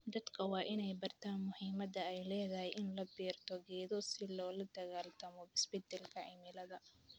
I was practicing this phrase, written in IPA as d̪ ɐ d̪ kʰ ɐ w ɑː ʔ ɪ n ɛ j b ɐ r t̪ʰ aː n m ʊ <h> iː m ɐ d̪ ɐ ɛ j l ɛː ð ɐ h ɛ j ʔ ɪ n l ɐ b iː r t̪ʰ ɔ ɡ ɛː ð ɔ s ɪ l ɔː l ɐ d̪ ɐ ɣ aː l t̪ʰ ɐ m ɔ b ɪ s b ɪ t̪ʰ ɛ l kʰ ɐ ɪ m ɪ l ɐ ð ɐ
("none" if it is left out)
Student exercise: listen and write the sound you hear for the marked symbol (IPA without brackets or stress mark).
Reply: h